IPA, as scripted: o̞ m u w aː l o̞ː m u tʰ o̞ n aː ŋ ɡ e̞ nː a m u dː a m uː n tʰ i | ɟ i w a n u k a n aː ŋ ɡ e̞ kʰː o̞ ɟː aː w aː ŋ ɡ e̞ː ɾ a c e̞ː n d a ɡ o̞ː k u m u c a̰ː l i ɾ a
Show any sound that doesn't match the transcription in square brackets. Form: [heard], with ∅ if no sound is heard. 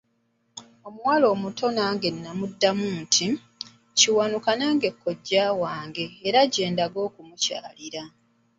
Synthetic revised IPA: o̞ m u w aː l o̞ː m u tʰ o̞ n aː ŋ ɡ e̞ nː a m u dː a m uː n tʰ i | [c] i w a n u k a n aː ŋ ɡ e̞ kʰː o̞ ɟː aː w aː ŋ ɡ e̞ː ɾ a [ɟ] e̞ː n d a ɡ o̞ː k u m u c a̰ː l i ɾ a